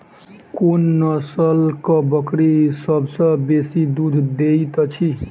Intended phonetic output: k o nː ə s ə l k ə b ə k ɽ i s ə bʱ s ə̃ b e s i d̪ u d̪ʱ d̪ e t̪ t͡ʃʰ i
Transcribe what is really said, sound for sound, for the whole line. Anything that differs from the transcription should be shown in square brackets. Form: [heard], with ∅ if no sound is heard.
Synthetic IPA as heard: k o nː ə s ə l k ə b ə k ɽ i s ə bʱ s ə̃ b e s i d̪ u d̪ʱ d̪ e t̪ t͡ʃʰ i